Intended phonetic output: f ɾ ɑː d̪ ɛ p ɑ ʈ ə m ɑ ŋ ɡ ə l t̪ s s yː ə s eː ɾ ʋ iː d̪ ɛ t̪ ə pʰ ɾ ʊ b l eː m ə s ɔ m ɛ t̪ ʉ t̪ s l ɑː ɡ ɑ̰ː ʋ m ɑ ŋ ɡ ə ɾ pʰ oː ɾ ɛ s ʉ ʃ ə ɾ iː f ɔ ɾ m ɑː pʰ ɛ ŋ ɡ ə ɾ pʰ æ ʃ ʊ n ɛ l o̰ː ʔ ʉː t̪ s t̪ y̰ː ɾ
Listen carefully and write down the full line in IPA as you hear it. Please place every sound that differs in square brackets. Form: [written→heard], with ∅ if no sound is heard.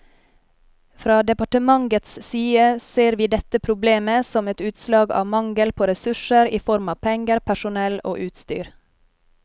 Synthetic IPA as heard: f ɾ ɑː d̪ ɛ p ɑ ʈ ə m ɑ ŋ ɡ ə [l→∅] t̪ s s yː ə s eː ɾ ʋ iː d̪ ɛ t̪ ə pʰ ɾ ʊ b l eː m ə s ɔ m ɛ t̪ [ʉ→ʉː] t̪ s l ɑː ɡ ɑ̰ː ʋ m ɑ ŋ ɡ ə [ɾ→l] pʰ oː ɾ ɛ s ʉ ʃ ə ɾ iː f ɔ ɾ m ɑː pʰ ɛ ŋ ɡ ə ɾ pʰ æ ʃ ʊ n ɛ l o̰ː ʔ ʉː t̪ s t̪ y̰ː ɾ

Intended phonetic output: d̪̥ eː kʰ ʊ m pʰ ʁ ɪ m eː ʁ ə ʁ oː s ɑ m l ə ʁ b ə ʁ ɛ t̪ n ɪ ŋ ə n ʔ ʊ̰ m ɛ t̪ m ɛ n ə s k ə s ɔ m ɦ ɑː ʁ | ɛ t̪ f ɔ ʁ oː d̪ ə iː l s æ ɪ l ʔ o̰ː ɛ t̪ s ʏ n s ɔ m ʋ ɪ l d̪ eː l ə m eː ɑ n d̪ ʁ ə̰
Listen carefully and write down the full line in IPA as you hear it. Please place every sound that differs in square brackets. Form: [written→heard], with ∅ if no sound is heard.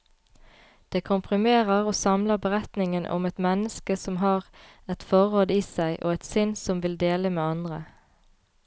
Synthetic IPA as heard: d̪̥ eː kʰ ʊ m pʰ ʁ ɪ m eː ʁ ə ʁ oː s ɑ m l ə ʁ b ə ʁ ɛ t̪ n ɪ ŋ ə n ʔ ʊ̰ m ɛ t̪ m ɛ n ə s k ə s ɔ m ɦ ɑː ʁ | ɛ t̪ f ɔ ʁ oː d̪ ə iː [l→∅] s æ ɪ [l→∅] ʔ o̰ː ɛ t̪ s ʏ n s ɔ m ʋ ɪ l d̪ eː l ə m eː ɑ n d̪ ʁ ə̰

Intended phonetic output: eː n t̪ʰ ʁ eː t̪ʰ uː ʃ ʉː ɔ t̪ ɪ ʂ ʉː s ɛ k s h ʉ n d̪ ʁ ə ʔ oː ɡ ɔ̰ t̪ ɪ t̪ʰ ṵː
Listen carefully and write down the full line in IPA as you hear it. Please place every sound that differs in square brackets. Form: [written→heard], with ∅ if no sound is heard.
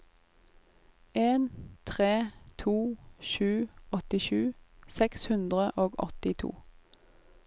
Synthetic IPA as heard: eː n t̪ʰ ʁ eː t̪ʰ uː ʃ ʉː ɔ t̪ ɪ [ʂ→ʃ] ʉː s ɛ k s h ʉ n d̪ ʁ ə ʔ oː ɡ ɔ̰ t̪ ɪ t̪ʰ ṵː

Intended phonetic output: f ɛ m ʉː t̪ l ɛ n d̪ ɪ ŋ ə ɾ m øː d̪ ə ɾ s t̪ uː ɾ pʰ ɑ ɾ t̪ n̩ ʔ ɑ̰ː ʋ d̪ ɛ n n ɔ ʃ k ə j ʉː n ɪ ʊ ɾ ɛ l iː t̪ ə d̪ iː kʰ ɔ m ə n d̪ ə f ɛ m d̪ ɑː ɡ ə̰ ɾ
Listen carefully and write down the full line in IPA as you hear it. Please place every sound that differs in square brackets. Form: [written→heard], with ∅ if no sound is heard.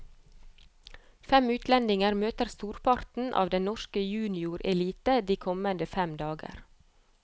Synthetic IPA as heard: f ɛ m ʉː t̪ l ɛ n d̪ ɪ ŋ ə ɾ m øː [d̪→t̪] ə ɾ s t̪ uː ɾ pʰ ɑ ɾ t̪ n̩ ʔ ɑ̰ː ʋ d̪ ɛ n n ɔ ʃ k ə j ʉː n ɪ ʊ ɾ ɛ l iː t̪ ə d̪ iː kʰ ɔ m ə n d̪ ə f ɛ m d̪ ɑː ɡ ə̰ ɾ

